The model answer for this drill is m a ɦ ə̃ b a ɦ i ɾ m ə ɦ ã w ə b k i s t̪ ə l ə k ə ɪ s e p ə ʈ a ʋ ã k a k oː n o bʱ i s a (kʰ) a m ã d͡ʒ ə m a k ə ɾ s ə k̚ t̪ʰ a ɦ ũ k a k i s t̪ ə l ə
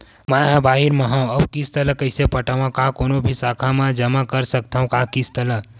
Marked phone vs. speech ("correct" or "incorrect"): correct